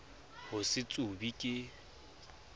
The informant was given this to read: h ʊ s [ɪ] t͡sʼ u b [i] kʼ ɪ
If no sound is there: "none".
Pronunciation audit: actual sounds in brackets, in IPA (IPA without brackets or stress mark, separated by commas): ɪ, i